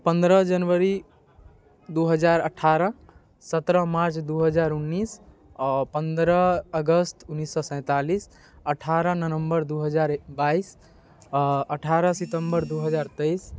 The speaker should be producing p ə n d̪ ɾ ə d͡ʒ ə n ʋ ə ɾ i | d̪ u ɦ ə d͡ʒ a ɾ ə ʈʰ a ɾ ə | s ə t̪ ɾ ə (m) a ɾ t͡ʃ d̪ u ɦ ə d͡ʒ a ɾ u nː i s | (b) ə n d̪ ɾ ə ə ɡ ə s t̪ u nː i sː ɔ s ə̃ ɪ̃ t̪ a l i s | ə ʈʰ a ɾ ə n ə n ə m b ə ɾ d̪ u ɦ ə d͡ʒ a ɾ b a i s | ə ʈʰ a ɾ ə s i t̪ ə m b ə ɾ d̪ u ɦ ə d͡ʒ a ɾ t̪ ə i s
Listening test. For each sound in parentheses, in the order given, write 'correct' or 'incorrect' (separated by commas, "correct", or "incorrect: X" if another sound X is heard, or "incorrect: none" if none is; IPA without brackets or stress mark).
correct, incorrect: p